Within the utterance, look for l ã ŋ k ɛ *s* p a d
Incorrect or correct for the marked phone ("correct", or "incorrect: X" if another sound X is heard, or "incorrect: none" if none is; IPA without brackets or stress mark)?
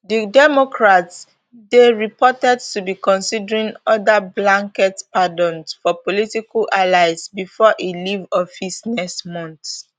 incorrect: t